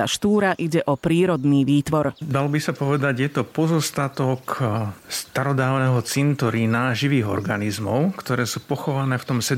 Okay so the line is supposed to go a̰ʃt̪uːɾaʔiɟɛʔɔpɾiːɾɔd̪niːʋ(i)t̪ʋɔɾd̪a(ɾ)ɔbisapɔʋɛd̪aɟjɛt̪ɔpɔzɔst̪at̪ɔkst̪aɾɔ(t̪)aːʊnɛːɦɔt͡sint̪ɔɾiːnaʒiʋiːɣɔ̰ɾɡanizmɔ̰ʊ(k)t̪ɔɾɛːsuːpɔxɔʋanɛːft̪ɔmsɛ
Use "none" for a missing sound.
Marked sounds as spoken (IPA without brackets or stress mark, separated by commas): iː, l, d̪, k